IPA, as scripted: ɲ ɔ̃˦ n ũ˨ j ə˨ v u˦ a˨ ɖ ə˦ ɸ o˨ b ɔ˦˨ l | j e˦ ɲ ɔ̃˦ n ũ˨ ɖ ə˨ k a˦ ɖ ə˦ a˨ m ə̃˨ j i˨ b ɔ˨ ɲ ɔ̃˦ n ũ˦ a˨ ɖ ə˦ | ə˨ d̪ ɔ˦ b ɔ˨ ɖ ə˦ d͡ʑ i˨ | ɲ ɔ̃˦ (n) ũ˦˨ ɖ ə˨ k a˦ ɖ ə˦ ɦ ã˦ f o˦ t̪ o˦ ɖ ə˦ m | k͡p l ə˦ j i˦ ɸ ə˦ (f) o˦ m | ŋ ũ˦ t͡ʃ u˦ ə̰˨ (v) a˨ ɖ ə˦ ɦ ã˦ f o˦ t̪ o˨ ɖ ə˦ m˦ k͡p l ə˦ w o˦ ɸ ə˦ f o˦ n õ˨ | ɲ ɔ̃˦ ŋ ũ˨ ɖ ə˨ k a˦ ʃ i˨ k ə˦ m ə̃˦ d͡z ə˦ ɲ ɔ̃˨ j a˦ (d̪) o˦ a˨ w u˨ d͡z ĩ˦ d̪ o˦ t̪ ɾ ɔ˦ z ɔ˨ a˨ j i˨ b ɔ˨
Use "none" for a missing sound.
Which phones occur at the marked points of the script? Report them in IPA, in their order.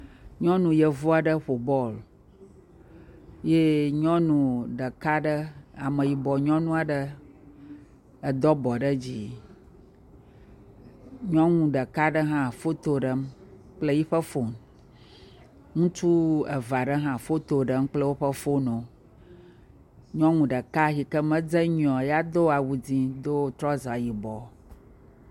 ŋ, f, v, d̪

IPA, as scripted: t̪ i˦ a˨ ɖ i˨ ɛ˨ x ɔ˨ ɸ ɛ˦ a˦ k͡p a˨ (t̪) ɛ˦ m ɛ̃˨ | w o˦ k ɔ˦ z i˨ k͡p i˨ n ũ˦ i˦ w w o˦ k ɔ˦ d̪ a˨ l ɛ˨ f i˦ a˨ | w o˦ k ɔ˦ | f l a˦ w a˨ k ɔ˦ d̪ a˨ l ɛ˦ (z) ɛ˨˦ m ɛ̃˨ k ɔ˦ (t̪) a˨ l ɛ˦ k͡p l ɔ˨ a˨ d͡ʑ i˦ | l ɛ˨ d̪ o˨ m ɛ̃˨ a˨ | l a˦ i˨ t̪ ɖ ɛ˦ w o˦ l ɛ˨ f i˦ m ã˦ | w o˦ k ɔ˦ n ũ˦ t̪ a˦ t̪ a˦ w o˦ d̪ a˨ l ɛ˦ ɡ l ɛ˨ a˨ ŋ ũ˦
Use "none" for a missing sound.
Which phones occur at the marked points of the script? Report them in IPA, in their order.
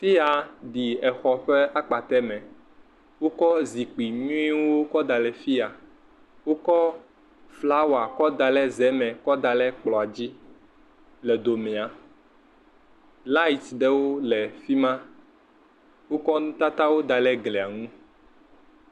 t̪, z, d̪

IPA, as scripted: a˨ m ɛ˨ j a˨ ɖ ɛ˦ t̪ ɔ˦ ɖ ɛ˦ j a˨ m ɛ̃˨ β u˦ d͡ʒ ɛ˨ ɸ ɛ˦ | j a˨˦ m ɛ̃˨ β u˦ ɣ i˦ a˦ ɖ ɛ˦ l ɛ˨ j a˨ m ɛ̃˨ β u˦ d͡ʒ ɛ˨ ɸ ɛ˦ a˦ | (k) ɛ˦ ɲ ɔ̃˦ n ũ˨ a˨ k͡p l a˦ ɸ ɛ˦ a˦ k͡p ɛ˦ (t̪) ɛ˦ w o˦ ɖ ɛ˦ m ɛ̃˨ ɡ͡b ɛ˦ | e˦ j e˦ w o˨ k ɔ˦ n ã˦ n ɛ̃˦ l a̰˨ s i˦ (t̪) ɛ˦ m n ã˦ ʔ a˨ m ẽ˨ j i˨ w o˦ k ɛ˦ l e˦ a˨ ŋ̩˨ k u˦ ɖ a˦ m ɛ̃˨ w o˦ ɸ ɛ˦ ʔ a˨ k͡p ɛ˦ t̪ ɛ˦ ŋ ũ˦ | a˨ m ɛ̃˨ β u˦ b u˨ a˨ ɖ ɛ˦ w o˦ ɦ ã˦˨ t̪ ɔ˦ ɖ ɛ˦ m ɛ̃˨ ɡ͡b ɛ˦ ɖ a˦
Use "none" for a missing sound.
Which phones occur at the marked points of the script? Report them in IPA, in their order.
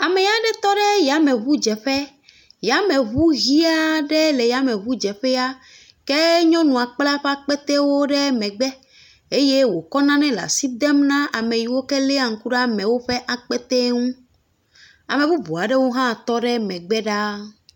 k, t̪, d̪

